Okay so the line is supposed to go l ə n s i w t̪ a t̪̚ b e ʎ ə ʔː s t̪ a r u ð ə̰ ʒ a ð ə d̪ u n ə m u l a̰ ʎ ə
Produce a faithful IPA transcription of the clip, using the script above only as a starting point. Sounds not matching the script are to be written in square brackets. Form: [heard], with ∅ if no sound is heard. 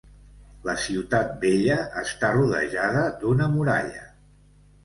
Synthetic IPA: l ə [∅] s i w t̪ a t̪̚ b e ʎ ə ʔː s t̪ a r u ð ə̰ ʒ a ð ə d̪ u n ə m u [ɾ] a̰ ʎ ə